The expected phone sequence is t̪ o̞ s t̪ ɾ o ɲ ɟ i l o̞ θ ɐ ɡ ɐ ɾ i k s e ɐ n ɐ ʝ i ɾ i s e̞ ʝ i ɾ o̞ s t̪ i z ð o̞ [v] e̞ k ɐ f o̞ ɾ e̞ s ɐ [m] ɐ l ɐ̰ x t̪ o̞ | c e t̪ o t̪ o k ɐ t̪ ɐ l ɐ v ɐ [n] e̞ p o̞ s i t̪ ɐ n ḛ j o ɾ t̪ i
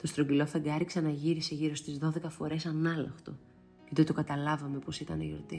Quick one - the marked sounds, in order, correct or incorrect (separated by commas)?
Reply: incorrect, incorrect, incorrect